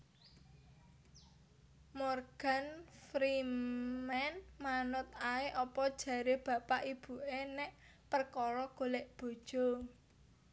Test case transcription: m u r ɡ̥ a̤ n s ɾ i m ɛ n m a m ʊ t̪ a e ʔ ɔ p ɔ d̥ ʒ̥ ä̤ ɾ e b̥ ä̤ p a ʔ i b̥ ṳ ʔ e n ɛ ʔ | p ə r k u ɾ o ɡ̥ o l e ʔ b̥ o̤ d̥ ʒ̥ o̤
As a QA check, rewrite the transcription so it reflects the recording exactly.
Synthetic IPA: m ɔ r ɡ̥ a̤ n f ɾ i m ɛ n m a n ʊ t̪ a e ʔ ɔ p ɔ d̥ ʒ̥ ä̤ ɾ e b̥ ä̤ p a ʔ i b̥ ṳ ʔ e n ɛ ʔ | p ə r k ɔ ɾ ɔ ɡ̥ o l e ʔ b̥ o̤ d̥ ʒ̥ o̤